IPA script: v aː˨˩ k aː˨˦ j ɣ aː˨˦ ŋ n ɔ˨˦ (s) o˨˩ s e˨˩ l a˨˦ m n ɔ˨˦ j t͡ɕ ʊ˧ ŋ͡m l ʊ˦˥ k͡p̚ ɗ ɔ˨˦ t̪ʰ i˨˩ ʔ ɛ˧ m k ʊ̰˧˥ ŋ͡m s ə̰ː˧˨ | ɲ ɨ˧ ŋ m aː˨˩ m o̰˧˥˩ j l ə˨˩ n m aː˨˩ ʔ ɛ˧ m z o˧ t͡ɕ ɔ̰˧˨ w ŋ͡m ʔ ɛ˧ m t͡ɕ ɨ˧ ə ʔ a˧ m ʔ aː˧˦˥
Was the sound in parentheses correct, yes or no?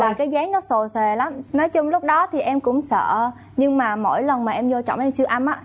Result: yes